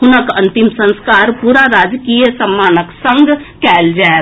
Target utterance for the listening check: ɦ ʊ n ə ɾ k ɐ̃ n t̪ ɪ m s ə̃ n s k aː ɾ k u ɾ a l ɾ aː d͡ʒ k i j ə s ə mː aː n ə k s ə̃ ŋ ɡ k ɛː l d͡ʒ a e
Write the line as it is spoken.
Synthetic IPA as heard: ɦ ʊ n ə k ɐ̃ n t̪ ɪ m s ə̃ n s k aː ɾ p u ɾ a ɾ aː d͡ʒ k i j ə s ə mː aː n ə k s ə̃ ŋ ɡ k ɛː l d͡ʒ a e